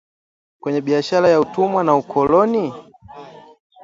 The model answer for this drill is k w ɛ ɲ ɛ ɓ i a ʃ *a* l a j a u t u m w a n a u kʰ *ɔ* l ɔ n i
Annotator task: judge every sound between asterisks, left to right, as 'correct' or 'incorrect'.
correct, correct

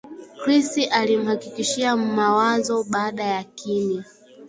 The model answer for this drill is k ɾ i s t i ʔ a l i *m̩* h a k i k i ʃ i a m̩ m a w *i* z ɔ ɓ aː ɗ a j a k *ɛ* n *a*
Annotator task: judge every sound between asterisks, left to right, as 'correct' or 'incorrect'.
correct, incorrect: a, incorrect: i, incorrect: i

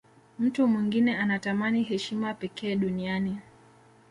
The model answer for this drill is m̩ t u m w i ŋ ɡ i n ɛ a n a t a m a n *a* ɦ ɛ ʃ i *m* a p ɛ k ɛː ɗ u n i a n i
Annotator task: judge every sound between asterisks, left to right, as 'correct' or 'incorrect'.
incorrect: i, correct

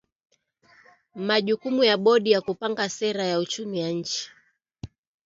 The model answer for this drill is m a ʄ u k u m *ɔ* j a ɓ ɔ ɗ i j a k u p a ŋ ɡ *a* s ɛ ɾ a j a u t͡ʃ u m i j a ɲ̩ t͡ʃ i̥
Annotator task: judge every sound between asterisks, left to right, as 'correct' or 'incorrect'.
incorrect: u, correct

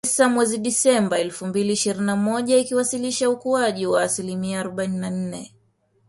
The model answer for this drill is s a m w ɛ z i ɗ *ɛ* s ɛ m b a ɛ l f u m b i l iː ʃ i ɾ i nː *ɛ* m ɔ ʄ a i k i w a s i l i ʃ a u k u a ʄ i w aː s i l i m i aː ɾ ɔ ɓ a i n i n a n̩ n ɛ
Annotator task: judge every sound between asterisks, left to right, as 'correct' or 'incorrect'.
incorrect: i, incorrect: a

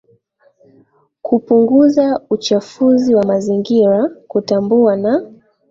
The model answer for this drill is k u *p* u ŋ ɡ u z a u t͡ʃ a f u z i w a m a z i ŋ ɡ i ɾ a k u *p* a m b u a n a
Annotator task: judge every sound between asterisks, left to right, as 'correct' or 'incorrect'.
correct, incorrect: t

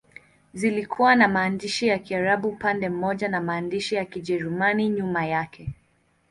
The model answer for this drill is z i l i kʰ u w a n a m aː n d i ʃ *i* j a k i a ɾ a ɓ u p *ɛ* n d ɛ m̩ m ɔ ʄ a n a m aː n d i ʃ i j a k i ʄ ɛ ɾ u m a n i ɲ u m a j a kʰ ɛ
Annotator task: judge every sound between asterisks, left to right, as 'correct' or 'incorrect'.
correct, incorrect: a

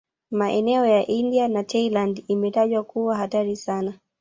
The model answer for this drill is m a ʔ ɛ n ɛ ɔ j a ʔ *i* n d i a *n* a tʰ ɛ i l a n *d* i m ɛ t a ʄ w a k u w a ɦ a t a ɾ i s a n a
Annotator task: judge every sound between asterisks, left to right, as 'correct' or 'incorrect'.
correct, correct, correct

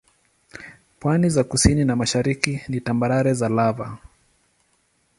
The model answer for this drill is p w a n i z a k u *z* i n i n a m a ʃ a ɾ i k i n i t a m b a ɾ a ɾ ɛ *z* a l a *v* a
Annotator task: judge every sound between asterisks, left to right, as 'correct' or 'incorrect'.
incorrect: s, correct, correct

